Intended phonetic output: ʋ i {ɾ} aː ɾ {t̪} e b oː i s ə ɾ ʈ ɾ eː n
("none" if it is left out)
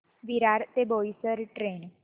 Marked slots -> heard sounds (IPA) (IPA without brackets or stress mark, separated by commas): ɾ, t̪